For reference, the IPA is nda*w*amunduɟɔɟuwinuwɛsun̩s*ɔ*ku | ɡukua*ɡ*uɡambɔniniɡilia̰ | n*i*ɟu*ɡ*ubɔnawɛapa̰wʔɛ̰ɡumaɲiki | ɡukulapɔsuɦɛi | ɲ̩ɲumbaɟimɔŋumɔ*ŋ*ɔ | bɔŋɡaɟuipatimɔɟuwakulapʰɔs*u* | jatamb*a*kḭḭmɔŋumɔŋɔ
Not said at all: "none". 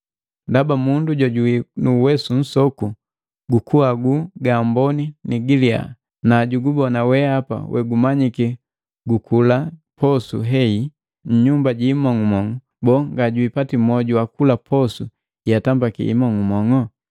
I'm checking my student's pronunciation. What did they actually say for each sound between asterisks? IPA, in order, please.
b, ɔ, ɡ, a, ɡ, ŋ, u, a

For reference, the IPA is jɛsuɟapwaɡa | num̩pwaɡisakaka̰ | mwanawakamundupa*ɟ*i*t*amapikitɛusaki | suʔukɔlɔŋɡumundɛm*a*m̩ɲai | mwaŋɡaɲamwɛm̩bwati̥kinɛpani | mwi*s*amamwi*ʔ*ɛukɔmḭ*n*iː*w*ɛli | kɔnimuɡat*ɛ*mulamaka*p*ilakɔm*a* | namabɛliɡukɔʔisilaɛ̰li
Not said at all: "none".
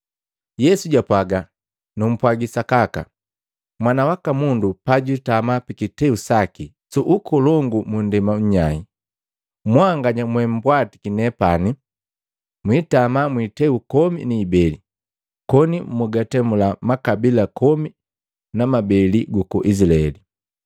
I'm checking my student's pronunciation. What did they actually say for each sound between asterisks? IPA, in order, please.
ɟ, t, a, t, t, n, b, ɛ, b, i

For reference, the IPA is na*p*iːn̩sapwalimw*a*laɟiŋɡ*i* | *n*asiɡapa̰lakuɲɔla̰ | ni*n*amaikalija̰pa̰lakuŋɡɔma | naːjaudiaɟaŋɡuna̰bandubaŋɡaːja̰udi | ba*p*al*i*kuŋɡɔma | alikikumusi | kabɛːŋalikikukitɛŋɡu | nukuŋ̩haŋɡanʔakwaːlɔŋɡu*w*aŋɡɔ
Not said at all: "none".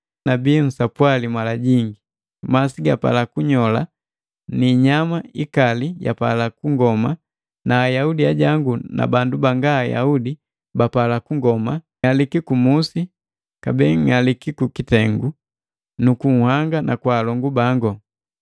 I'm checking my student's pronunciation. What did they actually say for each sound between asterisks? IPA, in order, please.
b, a, i, m, ɲ, p, a, b

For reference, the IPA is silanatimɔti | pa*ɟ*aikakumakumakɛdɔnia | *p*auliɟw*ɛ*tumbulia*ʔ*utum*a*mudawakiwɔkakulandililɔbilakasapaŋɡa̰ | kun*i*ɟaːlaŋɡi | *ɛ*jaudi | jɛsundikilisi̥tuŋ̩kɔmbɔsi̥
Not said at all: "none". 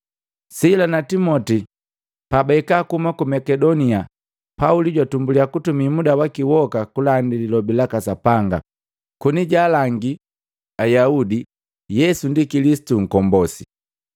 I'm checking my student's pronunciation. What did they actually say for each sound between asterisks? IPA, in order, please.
b, p, a, k, i, i, a

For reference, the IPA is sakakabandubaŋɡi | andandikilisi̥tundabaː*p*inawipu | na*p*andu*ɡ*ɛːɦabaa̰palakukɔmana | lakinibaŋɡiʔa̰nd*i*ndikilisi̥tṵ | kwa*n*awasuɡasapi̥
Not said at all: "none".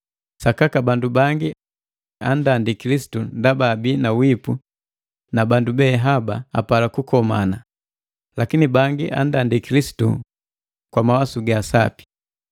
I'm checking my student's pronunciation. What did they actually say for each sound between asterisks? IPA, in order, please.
b, b, b, a, m

